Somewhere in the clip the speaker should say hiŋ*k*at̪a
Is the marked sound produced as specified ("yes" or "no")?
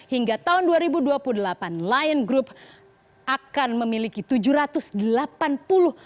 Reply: no